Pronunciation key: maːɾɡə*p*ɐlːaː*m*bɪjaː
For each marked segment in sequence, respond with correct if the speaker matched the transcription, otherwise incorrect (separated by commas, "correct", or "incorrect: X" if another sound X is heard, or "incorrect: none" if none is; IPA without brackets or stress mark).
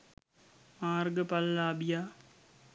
correct, incorrect: none